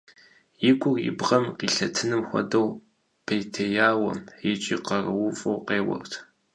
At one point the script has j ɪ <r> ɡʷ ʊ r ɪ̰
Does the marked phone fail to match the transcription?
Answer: yes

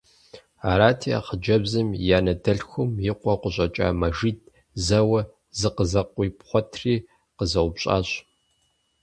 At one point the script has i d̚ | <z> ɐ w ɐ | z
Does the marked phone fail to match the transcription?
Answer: no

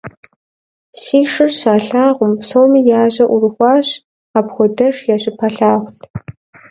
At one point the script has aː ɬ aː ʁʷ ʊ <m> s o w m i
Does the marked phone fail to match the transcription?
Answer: no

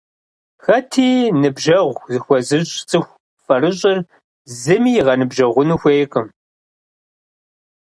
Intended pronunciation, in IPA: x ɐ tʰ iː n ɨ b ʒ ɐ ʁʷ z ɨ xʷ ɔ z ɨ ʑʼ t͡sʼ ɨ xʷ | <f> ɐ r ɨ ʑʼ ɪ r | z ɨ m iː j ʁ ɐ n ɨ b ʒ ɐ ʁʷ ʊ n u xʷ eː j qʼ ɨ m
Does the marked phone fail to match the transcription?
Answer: no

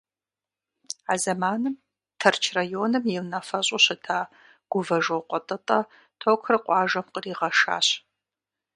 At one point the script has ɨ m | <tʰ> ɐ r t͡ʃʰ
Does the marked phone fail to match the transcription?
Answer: no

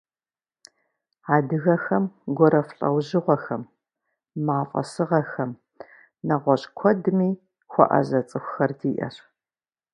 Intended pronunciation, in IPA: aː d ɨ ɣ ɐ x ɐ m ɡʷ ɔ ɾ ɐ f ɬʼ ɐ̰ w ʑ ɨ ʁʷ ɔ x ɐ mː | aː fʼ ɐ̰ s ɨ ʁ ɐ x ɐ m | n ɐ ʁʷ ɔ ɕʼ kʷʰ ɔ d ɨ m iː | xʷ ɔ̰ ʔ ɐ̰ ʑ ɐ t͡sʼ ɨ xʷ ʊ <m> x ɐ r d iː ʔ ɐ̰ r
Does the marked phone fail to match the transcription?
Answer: yes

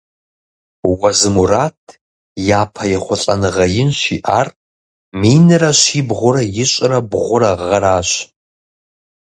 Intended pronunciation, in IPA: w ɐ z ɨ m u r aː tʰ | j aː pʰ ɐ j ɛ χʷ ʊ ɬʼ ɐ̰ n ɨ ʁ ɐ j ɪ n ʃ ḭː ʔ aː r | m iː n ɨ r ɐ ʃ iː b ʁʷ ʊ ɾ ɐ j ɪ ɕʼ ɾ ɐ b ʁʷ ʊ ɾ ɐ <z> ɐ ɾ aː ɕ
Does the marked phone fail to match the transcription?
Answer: yes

